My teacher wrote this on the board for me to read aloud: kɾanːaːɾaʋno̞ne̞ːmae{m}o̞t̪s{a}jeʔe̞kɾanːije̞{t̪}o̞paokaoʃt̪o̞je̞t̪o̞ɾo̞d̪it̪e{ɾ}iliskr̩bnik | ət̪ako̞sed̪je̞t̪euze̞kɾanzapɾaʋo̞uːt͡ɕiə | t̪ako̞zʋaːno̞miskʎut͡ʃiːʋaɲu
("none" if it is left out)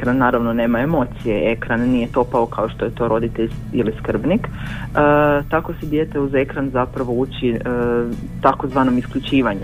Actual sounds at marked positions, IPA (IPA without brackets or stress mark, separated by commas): m, i, t̪, ʎ